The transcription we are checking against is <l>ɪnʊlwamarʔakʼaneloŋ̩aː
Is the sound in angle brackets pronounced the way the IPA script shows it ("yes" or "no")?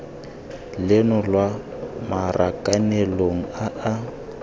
yes